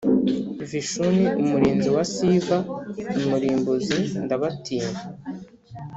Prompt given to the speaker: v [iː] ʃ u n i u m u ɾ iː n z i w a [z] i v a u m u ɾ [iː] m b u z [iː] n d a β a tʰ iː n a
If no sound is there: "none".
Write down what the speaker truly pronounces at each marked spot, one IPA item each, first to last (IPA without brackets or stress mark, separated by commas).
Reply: i, s, iː, i